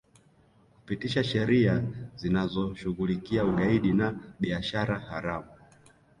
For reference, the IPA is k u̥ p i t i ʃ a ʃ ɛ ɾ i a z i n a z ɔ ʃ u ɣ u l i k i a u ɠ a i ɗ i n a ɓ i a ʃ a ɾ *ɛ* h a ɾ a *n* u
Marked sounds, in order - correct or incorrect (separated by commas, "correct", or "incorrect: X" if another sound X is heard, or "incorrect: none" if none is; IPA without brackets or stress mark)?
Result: incorrect: a, incorrect: m